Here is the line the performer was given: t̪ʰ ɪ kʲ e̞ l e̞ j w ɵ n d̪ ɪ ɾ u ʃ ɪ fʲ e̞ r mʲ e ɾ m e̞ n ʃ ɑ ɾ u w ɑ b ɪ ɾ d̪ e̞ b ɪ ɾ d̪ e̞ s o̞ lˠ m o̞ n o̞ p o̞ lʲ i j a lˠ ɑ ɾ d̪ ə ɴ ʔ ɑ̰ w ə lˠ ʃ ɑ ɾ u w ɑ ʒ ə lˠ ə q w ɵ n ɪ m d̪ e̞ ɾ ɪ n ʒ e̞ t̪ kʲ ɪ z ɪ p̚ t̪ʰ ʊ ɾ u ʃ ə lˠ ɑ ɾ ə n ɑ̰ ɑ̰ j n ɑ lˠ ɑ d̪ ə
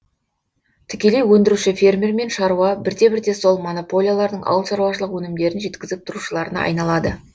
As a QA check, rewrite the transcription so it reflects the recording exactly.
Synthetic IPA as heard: t̪ʰ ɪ kʲ e̞ l e̞ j w ɵ n d̪ ɪ ɾ u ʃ ɪ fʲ e̞ r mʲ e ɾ m e̞ n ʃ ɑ ɾ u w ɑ b ɪ ɾ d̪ e̞ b ɪ ɾ d̪ e̞ s o̞ lˠ m o̞ n o̞ p o̞ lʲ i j a lˠ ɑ ɾ d̪ ə ɴ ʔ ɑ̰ w ə lˠ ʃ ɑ ɾ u w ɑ ʃ ə lˠ ə q w ɵ n ɪ m d̪ e̞ ɾ ɪ n ʒ e̞ t̪ kʲ ɪ z ɪ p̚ t̪ʰ ʊ ɾ u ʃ ə lˠ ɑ ɾ ə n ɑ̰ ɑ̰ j n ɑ lˠ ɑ d̪ ə